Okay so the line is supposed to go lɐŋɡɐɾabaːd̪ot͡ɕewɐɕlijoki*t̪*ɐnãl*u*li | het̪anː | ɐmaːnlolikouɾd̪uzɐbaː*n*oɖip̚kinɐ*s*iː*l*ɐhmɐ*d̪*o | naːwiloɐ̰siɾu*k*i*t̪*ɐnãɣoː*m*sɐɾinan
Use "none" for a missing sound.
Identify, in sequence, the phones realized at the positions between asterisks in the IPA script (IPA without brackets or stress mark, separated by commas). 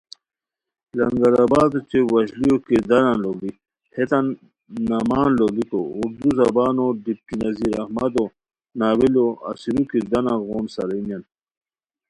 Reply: d̪, o, n, z, ɾ, d̪, k, d̪, n